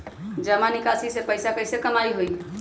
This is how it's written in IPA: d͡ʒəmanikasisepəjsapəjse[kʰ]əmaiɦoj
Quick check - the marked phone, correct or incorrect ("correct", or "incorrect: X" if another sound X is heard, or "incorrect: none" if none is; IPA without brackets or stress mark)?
incorrect: k